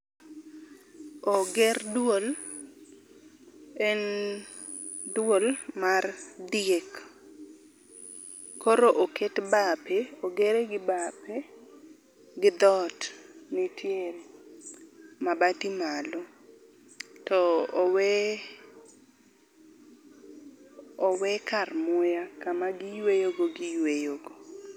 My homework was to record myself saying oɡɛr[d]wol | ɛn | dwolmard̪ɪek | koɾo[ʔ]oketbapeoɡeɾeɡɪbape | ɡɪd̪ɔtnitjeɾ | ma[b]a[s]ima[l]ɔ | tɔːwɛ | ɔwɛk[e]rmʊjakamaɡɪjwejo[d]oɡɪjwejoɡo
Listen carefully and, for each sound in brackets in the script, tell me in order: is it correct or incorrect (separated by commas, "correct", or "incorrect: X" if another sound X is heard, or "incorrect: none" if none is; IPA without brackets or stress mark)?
correct, correct, correct, incorrect: t, correct, incorrect: a, incorrect: ɡ